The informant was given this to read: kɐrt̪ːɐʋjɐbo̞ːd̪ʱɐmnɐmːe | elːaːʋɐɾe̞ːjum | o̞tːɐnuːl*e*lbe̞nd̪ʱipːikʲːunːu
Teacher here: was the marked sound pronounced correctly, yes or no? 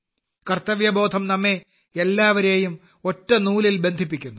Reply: no